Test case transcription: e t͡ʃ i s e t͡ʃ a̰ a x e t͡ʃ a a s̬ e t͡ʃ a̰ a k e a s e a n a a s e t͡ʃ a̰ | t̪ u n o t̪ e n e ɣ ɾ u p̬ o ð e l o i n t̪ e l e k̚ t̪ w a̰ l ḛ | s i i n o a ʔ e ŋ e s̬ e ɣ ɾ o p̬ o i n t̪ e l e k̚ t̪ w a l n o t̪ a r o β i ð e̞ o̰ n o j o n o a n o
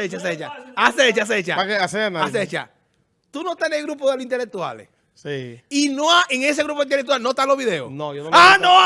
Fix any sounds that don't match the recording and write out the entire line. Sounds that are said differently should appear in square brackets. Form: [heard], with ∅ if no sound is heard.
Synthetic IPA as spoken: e t͡ʃ [a] s e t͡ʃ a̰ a [s] e t͡ʃ a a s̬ e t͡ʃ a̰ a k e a s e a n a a s e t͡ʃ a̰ | t̪ u n o t̪ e n e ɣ ɾ u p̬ o ð e l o i n t̪ e l e k̚ t̪ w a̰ l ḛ | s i i n o a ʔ e ŋ e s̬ e ɣ ɾ [u] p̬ o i n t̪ e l e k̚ t̪ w a l n o t̪ a [l] o β i ð e̞ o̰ n o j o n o a n o